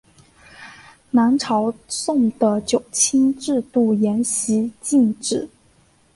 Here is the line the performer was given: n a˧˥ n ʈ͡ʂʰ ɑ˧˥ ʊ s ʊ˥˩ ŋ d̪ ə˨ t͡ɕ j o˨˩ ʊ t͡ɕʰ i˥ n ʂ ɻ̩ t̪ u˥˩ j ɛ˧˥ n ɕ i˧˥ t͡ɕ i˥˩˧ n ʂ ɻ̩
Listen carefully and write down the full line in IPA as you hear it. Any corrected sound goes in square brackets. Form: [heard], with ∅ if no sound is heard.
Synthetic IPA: n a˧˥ n ʈ͡ʂʰ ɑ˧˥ ʊ s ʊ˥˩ ŋ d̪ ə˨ t͡ɕ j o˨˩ ʊ t͡ɕʰ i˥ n [ʈ͡ʂ] ɻ̩ t̪ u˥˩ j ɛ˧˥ n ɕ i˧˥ t͡ɕ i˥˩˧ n [ʈ͡ʂ] ɻ̩

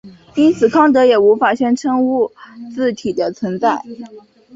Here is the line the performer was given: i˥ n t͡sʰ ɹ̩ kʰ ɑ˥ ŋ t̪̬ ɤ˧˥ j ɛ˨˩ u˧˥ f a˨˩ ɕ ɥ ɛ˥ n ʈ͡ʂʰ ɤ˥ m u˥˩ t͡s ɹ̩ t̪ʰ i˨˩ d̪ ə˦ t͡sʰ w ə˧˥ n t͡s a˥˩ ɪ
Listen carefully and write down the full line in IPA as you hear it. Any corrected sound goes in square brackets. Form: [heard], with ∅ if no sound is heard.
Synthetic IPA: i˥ n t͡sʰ ɹ̩ kʰ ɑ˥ ŋ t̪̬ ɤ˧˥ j ɛ˨˩ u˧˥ f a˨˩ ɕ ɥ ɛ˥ n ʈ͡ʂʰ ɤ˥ [ŋ] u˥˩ t͡s ɹ̩ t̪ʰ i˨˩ d̪ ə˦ t͡sʰ w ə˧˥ n t͡s a˥˩ ɪ

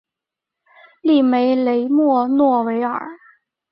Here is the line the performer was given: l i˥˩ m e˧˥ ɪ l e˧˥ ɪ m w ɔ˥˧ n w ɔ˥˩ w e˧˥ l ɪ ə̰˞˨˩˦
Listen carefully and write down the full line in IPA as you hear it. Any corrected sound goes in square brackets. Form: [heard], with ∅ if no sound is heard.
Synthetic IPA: l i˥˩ m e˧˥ ɪ l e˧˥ ɪ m w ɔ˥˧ n w ɔ˥˩ w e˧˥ [∅] ɪ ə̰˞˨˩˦

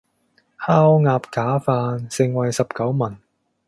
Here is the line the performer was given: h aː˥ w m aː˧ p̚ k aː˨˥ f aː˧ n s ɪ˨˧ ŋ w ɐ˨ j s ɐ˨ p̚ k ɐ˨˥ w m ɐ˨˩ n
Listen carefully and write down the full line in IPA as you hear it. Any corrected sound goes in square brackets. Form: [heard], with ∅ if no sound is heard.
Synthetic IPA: h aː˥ w [ŋ] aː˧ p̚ k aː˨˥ f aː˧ n s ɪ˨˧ ŋ w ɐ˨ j s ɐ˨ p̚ k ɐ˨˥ w m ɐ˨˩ n

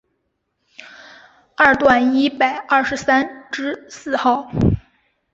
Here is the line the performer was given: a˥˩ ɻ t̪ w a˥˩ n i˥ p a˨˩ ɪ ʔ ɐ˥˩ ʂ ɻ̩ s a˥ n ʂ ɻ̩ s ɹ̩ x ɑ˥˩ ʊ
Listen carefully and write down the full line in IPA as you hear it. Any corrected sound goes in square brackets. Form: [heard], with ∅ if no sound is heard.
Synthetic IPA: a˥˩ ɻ t̪ w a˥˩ n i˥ p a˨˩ ɪ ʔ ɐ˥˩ ʂ ɻ̩ s a˥ n [ʈ͡ʂ] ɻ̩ s ɹ̩ x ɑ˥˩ ʊ

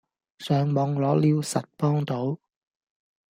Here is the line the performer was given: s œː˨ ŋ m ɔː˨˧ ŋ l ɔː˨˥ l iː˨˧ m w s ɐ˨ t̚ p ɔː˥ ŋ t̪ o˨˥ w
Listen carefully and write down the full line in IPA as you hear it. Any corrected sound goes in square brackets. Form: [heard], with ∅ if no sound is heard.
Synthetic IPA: s œː˨ ŋ m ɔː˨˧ ŋ l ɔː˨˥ l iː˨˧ [∅] w s ɐ˨ t̚ p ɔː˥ ŋ t̪ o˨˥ w

